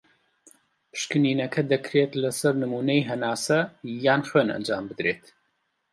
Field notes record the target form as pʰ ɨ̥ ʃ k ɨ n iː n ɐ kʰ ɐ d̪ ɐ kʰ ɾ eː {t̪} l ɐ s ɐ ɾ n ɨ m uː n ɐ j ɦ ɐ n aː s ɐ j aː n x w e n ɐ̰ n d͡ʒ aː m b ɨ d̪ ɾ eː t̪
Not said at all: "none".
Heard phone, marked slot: t̪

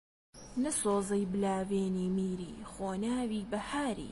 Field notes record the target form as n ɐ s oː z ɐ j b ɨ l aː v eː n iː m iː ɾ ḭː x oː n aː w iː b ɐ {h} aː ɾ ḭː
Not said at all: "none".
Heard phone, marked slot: h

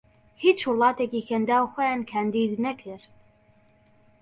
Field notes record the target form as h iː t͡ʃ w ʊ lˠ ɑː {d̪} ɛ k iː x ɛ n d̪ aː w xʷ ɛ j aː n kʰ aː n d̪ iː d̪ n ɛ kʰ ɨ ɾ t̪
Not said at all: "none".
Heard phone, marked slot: t̪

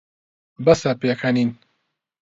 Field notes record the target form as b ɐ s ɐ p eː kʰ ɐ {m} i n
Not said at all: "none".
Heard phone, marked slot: n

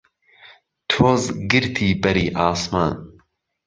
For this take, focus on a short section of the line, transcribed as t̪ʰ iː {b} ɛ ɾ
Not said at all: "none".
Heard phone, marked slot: b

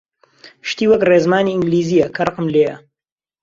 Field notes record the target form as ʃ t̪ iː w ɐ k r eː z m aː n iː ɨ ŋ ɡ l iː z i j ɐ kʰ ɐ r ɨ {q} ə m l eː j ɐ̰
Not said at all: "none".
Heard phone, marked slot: q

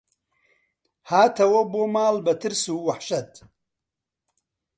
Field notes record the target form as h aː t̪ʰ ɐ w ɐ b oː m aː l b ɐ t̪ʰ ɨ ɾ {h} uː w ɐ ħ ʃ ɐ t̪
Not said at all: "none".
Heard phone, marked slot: s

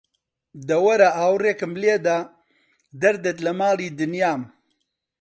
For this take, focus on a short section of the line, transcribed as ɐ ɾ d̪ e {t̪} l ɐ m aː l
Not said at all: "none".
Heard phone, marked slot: t̪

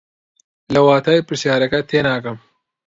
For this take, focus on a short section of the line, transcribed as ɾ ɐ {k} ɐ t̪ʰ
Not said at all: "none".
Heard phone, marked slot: k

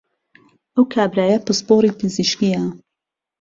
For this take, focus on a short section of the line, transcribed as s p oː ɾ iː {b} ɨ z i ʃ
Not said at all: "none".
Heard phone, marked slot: p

